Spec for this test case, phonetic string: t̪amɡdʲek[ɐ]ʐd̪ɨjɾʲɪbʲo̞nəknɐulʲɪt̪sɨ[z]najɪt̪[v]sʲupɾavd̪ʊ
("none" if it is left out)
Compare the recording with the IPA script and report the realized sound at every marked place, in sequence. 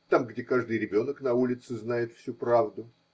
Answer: a, z, f

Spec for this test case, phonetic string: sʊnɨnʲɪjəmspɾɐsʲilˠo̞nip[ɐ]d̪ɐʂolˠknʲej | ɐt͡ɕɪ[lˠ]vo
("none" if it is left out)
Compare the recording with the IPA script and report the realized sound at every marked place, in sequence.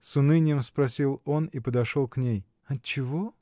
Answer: ə, none

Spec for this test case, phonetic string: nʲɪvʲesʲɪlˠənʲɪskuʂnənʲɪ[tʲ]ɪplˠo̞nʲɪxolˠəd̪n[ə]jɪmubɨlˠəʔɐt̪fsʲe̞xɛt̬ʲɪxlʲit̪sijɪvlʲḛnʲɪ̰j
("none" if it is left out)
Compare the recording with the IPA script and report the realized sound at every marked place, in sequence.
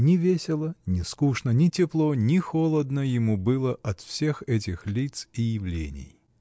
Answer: tʲ, ə

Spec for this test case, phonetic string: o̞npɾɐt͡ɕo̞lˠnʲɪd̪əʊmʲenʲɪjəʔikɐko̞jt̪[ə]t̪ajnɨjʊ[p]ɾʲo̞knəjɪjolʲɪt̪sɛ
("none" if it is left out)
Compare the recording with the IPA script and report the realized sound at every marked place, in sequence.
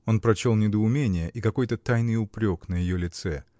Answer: ə, p

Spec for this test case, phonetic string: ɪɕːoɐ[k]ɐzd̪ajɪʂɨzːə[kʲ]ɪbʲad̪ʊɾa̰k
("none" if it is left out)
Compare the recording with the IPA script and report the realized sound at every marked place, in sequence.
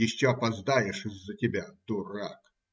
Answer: p, tʲ

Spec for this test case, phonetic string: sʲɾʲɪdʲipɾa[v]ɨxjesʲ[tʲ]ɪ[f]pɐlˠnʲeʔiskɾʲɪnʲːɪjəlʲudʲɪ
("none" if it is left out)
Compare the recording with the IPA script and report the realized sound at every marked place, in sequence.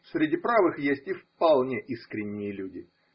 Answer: v, tʲ, f

